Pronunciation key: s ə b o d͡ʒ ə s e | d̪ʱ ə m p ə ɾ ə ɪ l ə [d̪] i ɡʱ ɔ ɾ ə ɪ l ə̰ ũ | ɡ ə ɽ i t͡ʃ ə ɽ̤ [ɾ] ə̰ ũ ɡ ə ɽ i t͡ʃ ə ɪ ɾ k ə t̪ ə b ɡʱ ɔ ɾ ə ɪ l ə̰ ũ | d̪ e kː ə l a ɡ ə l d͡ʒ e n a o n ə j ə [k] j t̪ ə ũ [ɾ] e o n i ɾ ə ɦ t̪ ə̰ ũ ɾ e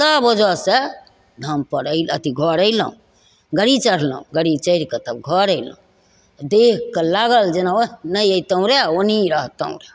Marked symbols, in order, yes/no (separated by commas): no, no, no, yes